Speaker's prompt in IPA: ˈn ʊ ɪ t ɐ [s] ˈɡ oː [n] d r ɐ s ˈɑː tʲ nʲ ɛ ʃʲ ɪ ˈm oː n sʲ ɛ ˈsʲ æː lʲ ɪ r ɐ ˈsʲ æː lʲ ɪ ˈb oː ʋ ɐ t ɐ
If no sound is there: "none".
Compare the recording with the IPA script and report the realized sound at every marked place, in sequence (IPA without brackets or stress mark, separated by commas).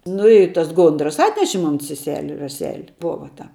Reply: s, n